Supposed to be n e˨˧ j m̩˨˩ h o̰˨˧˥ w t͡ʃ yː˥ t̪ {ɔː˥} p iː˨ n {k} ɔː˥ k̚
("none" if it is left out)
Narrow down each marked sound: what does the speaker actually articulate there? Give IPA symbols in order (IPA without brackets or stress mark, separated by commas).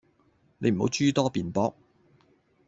ɔː˥, p